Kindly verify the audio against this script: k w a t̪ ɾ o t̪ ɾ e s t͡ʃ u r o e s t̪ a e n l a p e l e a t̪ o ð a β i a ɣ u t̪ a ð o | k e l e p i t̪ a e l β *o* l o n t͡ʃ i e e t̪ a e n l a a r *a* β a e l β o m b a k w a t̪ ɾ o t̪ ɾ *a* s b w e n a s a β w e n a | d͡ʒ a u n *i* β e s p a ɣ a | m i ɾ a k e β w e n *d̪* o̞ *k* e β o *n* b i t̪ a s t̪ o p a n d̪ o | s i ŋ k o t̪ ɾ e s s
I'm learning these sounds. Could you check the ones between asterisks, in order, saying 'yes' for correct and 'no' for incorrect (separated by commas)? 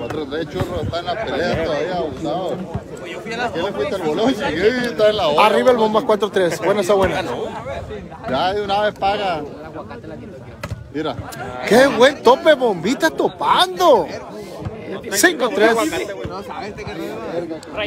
yes, no, no, no, no, no, no